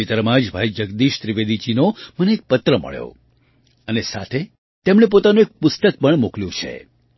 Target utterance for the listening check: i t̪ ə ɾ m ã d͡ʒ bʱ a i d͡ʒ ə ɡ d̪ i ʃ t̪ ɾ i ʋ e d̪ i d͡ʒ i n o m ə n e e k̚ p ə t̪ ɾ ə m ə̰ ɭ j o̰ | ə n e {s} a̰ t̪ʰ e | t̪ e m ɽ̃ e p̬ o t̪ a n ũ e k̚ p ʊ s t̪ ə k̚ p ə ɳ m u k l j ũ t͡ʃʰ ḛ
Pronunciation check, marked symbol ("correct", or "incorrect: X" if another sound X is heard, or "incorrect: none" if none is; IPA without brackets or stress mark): correct